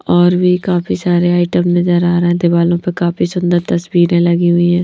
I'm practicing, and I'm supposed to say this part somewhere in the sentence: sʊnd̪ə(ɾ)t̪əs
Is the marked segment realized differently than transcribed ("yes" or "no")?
no